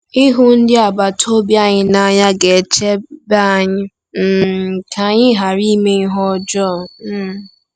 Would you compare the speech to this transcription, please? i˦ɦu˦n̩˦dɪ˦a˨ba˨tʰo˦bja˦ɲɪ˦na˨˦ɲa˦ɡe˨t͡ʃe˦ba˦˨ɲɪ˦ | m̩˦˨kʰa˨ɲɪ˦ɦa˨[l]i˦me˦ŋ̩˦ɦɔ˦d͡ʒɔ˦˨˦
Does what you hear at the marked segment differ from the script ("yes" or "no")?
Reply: yes